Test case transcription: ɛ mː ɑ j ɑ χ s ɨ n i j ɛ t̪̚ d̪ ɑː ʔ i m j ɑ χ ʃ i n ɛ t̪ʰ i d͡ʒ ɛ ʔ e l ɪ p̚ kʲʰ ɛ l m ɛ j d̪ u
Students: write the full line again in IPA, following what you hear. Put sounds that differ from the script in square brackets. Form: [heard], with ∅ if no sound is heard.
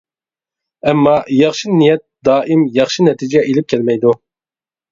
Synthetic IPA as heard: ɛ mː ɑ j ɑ χ [ʃ] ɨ n i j ɛ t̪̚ d̪ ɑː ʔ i m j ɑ χ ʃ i n ɛ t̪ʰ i d͡ʒ ɛ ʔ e l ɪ p̚ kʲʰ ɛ l m ɛ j d̪ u